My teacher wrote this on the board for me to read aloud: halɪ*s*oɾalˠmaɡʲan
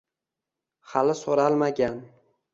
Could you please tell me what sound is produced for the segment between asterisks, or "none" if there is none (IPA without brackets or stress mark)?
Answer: s